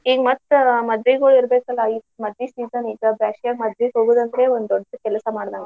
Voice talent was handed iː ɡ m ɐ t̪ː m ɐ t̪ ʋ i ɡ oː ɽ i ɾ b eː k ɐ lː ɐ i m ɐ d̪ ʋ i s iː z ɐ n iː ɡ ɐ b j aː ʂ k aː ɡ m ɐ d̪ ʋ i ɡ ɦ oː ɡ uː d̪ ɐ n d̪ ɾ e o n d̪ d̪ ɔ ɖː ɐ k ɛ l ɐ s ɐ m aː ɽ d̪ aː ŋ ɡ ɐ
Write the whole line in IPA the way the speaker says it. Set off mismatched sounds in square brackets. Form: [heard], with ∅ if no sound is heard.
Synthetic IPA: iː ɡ m ɐ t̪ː m ɐ [d̪] ʋ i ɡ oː [ɭ] i ɾ b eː k ɐ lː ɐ i m ɐ d̪ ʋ i s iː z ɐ n iː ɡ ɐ b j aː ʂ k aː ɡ m ɐ d̪ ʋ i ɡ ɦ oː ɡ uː d̪ ɐ n d̪ ɾ e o n d̪ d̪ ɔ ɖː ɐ k ɛ l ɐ s ɐ m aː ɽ d̪ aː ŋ ɡ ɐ